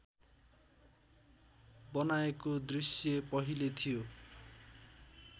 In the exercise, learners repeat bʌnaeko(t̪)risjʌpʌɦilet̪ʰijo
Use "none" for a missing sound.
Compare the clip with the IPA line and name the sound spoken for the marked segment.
d̪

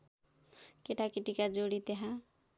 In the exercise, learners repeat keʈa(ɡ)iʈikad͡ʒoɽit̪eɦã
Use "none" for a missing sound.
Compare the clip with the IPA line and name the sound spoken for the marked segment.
k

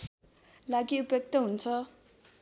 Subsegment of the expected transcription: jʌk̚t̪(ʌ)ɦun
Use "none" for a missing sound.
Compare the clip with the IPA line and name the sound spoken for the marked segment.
ʌ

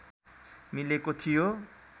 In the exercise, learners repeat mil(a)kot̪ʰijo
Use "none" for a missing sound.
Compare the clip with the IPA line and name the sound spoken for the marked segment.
e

